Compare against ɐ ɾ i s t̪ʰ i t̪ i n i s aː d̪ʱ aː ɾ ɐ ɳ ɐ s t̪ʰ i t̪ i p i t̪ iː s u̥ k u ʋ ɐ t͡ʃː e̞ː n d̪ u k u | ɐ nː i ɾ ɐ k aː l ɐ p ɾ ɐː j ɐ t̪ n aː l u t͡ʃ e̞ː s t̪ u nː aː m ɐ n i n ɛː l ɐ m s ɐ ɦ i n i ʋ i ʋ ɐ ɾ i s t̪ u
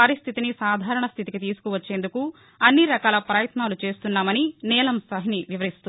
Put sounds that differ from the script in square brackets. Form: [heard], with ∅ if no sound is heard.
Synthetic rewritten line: ɐ ɾ i s t̪ʰ i t̪ i n i s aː d̪ʱ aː ɾ ɐ ɳ ɐ s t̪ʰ i t̪ i [k] i t̪ iː s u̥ k u ʋ ɐ t͡ʃː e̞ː n d̪ u k u | ɐ nː i ɾ ɐ k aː l ɐ p ɾ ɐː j ɐ t̪ n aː l u t͡ʃ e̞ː s t̪ u nː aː m ɐ n i n ɛː l ɐ m s ɐ ɦ i n i ʋ i ʋ ɐ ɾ i s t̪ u